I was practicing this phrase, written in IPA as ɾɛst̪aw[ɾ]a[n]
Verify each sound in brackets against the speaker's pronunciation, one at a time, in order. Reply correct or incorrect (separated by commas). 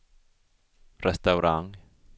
correct, incorrect